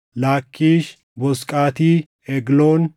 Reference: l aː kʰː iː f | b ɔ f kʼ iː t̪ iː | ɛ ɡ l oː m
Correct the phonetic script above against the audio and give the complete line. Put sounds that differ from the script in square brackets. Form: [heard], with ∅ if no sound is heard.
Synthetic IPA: l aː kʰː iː [ʃ] | b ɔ [s] kʼ [aː] t̪ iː | ɛ ɡ l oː [n]

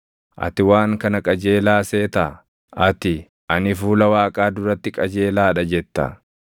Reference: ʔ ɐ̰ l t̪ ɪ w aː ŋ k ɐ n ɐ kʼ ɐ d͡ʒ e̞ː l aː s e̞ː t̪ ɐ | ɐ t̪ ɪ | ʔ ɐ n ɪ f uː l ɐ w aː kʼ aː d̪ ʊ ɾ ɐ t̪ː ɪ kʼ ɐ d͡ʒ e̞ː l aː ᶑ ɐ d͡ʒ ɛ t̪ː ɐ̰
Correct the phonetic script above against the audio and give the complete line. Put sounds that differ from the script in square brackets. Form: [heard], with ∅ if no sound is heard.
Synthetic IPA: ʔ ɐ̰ [∅] t̪ ɪ w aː ŋ k ɐ n ɐ kʼ ɐ d͡ʒ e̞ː l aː s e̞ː t̪ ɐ | ɐ t̪ ɪ | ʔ ɐ n ɪ f uː l ɐ w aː kʼ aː d̪ ʊ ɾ ɐ t̪ː ɪ kʼ ɐ d͡ʒ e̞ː l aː ᶑ ɐ d͡ʒ ɛ t̪ː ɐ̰

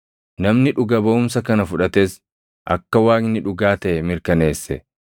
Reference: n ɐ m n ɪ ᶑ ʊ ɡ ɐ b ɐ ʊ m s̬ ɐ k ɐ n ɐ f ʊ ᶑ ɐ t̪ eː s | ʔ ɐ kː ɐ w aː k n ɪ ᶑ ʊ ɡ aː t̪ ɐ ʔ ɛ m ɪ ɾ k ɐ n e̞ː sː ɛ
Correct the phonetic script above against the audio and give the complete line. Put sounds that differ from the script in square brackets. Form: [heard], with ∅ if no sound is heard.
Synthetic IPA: n ɐ m n ɪ ᶑ ʊ ɡ ɐ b ɐ ʊ m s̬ ɐ k ɐ n ɐ f ʊ ᶑ ɐ t̪ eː s | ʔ ɐ kː ɐ w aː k n ɪ ᶑ ʊ ɡ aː t̪ ɐ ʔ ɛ m ɪ ɾ k ɐ n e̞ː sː ɛ

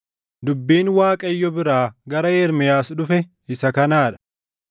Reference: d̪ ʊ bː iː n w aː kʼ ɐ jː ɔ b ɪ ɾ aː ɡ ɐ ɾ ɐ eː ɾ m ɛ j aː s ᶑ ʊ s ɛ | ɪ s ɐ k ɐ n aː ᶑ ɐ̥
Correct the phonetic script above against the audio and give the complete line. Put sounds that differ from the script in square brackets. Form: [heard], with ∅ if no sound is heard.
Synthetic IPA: d̪ ʊ bː iː n w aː kʼ ɐ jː ɔ b ɪ ɾ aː ɡ ɐ ɾ ɐ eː ɾ m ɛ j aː s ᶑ ʊ [f] ɛ | ɪ s ɐ k ɐ n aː ᶑ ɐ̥

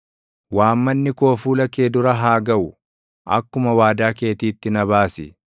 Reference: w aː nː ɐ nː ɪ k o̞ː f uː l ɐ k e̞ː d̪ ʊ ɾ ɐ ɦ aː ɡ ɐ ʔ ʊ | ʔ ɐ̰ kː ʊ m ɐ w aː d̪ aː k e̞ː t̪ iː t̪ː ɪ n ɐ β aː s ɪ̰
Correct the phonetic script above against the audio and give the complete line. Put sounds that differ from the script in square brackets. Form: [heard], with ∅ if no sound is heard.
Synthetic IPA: w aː [mː] ɐ nː ɪ k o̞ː f uː l ɐ k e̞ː d̪ ʊ ɾ ɐ ɦ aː ɡ ɐ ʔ ʊ | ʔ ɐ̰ kː ʊ m ɐ w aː d̪ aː k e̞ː t̪ iː t̪ː ɪ n ɐ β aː s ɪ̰

